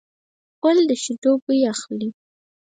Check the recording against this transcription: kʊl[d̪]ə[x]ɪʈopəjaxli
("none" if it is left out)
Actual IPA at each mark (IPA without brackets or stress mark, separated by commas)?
d̪, ʃ